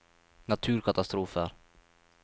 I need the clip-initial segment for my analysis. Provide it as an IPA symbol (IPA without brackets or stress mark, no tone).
n